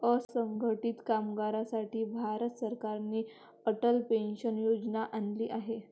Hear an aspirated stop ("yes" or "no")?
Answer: no